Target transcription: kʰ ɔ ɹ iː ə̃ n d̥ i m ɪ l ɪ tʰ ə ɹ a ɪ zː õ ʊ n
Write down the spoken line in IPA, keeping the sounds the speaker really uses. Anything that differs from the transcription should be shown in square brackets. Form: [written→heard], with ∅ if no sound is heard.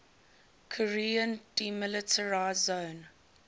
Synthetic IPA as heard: kʰ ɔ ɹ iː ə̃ n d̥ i m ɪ l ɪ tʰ ə ɹ a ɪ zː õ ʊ n